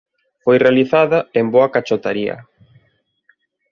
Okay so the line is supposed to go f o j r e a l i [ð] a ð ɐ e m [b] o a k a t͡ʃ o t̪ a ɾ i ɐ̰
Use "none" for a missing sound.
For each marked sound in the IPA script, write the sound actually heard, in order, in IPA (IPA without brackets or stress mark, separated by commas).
θ, b